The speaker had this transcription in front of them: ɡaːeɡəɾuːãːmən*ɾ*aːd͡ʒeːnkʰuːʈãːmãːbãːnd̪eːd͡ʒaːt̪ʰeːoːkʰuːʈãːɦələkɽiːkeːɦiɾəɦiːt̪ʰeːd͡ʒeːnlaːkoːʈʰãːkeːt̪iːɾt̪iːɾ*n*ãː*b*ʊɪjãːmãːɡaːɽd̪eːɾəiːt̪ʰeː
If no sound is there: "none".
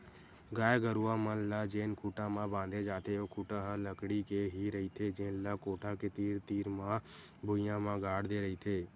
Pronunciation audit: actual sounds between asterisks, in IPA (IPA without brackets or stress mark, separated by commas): l, m, b